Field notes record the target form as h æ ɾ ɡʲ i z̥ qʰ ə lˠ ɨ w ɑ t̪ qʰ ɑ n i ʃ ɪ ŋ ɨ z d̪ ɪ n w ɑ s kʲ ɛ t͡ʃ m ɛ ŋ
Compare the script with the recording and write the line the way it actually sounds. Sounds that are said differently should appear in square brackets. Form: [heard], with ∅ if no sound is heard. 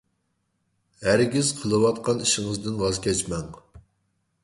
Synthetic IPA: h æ ɾ ɡʲ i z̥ qʰ ə lˠ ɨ w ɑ t̪ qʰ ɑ n i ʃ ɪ ŋ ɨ z d̪ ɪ n w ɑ [z] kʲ ɛ t͡ʃ m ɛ ŋ